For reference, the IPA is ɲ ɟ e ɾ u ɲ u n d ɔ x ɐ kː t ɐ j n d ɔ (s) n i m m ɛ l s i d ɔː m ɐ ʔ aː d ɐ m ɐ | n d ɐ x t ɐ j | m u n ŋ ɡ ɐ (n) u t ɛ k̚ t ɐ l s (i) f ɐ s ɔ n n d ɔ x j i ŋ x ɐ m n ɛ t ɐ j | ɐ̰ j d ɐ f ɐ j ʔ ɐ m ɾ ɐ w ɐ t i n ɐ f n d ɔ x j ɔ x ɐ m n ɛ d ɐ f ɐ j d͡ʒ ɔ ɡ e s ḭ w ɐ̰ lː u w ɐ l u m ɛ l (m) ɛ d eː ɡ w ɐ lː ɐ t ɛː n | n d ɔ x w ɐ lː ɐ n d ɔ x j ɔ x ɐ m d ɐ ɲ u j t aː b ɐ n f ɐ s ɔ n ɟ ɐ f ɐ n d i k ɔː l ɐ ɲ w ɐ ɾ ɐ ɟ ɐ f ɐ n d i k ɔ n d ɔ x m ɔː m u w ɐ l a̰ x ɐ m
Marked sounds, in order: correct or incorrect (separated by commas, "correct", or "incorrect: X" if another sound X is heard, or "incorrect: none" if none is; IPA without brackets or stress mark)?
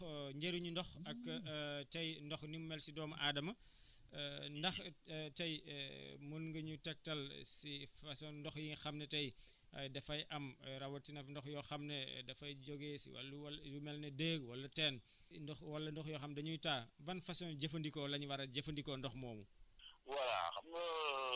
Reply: incorrect: x, incorrect: ɲ, correct, incorrect: n